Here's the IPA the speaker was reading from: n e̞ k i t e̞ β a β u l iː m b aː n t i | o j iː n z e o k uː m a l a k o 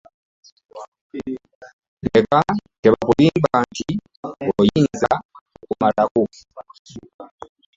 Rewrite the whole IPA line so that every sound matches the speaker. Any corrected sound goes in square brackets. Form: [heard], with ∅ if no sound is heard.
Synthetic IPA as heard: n e̞ k [a] t e̞ β a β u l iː m b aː n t i | o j iː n z [a] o k [u] m a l a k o